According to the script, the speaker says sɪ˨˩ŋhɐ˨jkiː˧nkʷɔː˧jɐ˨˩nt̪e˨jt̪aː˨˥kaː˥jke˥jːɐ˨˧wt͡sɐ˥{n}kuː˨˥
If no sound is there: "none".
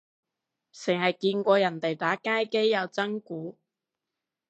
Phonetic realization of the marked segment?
ŋ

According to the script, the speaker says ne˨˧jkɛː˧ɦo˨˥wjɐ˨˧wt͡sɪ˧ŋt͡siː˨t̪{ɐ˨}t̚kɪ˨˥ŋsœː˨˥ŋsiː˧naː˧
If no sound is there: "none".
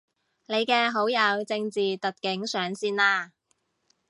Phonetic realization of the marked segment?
ɐ˨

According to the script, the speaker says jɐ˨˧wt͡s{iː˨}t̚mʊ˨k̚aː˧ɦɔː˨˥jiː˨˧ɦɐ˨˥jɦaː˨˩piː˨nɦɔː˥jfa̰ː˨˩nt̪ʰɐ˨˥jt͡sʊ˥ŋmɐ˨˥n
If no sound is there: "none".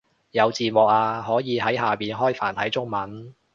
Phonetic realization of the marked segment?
iː˨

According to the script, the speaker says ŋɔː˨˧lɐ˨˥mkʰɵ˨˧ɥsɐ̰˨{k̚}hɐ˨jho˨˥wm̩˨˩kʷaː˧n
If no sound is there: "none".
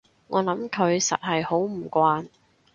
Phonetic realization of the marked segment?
t̚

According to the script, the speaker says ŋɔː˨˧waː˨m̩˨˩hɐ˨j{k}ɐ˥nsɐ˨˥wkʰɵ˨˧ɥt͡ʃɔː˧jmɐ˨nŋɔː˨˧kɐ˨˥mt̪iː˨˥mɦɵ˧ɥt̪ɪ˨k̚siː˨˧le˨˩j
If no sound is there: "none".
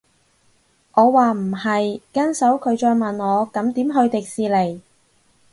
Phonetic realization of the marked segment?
k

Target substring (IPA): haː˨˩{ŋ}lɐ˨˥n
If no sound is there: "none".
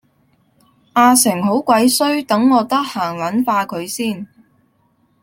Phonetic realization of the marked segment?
ŋ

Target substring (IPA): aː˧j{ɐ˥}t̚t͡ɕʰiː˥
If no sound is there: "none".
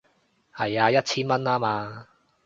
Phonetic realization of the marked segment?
ɐ˥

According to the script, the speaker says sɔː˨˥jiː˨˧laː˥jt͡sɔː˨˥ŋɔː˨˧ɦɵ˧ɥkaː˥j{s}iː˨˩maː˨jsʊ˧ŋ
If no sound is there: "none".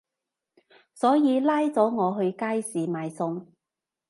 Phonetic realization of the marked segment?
s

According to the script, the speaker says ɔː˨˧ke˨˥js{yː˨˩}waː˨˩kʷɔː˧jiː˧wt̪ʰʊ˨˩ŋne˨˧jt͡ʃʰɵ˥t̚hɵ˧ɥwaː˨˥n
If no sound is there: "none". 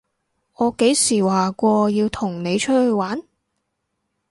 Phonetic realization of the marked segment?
iː˨˩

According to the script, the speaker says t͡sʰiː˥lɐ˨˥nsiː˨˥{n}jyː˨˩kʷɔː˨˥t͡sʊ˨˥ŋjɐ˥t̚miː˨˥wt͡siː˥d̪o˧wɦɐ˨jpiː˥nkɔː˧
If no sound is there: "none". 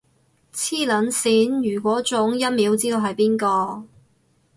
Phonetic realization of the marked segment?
n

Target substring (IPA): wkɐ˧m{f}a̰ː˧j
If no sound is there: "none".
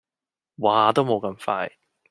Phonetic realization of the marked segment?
f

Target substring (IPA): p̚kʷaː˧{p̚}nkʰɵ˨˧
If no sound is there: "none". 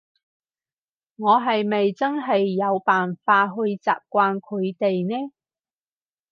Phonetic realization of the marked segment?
none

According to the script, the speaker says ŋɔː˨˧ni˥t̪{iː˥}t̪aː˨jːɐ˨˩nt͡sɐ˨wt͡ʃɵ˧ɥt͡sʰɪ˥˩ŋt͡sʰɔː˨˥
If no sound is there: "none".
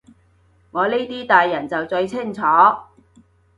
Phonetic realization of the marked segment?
iː˥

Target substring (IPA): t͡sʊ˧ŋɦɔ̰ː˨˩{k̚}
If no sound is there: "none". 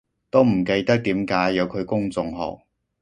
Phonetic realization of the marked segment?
k̚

